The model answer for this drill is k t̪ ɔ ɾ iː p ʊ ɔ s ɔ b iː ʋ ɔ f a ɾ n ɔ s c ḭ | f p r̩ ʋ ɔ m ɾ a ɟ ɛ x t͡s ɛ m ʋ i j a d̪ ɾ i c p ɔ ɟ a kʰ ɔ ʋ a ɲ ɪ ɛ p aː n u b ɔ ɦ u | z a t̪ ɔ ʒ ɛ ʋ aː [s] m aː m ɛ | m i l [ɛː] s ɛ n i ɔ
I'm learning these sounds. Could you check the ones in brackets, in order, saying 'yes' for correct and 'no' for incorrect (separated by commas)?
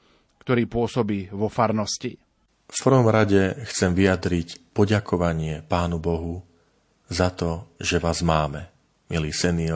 no, no